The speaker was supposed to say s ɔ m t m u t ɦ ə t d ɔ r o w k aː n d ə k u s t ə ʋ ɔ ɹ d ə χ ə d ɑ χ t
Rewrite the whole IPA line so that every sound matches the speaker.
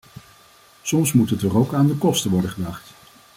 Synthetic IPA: s ɔ m s m u t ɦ ə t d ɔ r o w k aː n d ə k ɔ s t ə ʋ ɔ ɹ d ə χ ə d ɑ χ t